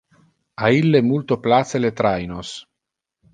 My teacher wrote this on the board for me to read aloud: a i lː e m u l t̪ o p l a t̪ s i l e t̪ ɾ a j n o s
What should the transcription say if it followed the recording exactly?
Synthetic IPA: a i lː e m u l t̪ o p l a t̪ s e l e t̪ ɾ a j n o s

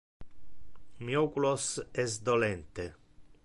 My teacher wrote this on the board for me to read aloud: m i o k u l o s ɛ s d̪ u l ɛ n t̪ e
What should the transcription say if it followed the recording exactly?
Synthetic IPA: m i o k u l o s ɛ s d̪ o l ɛ n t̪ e

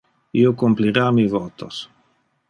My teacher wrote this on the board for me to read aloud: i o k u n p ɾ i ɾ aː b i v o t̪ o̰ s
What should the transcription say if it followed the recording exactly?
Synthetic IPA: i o k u m p l i ɾ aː m i v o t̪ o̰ s

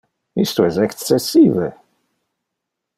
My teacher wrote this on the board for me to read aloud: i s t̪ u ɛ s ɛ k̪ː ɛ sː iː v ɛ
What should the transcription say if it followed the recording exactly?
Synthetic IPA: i s t̪ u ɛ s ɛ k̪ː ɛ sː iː v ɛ

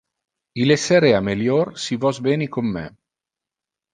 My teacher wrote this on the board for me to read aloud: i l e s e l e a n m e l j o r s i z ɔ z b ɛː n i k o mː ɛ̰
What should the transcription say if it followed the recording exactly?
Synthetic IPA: i l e s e ɾ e a m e l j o r s i v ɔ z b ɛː n i k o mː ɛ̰

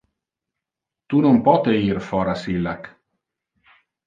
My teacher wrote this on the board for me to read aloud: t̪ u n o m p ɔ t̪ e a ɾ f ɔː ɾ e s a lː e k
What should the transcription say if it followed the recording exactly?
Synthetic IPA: t̪ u n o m p ɔ t̪ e i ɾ f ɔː ɾ a s i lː a k

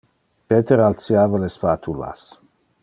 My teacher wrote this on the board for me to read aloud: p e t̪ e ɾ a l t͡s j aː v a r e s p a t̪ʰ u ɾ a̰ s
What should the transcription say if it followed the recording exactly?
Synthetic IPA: p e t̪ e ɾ a l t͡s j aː v a l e s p a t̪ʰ u l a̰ s

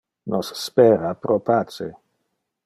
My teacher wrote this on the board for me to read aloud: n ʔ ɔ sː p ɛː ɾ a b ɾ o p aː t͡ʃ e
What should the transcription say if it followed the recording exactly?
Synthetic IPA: n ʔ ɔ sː p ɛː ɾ a p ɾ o p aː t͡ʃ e

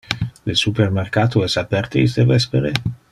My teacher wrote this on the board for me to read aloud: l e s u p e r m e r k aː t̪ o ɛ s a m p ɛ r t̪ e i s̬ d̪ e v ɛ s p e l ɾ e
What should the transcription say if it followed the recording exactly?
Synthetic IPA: l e s u p e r m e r k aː t̪ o ɛ s a p ɛ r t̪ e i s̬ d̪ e v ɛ s p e ɾ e

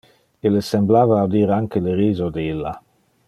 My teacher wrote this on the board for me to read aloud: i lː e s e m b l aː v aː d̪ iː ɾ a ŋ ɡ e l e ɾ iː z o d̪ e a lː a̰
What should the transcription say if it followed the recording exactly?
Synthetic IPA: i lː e s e m b l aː v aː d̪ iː ɾ a ŋ k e l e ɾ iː z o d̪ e i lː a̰

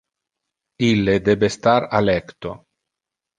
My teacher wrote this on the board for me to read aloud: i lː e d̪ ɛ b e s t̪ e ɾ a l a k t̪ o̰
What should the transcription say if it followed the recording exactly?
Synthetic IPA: i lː e d̪ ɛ b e s t̪ a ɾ a l ɛ k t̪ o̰

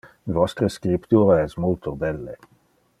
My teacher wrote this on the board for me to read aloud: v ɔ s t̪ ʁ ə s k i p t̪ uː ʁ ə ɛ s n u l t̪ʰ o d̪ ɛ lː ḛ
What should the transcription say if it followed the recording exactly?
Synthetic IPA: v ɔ s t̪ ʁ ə s k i p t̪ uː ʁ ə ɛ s m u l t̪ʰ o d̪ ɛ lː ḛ

